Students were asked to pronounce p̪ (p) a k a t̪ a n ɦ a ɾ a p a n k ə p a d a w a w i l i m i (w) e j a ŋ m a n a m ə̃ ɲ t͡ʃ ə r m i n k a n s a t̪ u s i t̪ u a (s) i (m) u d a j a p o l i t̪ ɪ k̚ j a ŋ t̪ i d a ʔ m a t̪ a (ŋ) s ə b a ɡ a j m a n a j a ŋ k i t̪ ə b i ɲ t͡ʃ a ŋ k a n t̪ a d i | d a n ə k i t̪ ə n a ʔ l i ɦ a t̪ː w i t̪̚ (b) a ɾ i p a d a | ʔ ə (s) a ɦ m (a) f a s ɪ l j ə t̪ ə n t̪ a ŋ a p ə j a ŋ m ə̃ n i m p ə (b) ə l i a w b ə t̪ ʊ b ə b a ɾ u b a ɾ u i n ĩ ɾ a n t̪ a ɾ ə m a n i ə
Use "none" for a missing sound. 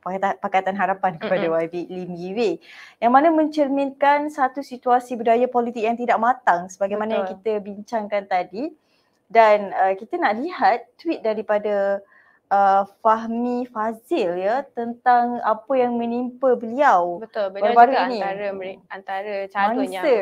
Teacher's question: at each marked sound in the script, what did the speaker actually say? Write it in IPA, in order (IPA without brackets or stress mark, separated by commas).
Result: p, w, s, b, ŋ, d, f, i, b